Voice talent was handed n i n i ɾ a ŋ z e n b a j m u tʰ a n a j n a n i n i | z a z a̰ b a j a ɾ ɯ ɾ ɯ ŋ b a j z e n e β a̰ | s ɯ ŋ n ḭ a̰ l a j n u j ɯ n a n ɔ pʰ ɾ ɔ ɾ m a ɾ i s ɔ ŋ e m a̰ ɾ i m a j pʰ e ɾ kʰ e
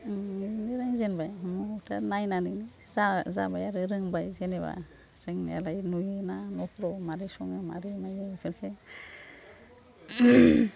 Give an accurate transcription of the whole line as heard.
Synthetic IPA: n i n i ɾ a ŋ z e n b a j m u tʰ a n a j n a n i n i | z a z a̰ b a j a ɾ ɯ ɾ ɯ ŋ b a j z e n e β a̰ | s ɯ ŋ n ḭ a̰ l a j n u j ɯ n a n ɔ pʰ ɾ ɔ m a ɾ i s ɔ ŋ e m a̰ ɾ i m a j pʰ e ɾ kʰ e